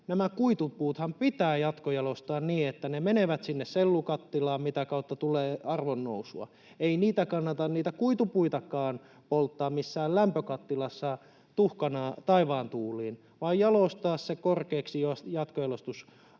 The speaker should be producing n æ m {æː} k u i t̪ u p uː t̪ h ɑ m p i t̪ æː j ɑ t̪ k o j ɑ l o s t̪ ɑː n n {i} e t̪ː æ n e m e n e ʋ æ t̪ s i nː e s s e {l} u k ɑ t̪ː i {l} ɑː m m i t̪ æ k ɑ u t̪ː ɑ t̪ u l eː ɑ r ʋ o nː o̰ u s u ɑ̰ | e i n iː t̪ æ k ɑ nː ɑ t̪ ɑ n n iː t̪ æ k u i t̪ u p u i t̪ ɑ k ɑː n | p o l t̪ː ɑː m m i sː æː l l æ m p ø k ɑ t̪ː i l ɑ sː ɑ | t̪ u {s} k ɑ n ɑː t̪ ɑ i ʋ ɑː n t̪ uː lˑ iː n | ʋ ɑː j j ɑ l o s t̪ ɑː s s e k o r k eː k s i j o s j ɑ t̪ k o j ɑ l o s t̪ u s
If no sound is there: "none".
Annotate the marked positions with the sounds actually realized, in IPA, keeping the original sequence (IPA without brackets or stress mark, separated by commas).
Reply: æ, iː, lː, l, h